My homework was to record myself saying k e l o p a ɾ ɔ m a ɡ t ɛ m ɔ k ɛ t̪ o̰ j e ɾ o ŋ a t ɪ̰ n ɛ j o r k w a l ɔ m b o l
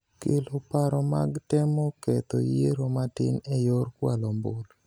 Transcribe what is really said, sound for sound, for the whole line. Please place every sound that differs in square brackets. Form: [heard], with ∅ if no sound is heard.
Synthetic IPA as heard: k e l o p a ɾ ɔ m a ɡ t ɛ m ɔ k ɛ t̪ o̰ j e ɾ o [m] a t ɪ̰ n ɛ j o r k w a l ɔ m b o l